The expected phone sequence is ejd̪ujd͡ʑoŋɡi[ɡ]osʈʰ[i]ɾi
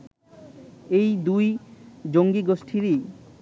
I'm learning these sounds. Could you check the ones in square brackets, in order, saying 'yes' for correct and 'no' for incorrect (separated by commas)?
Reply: yes, yes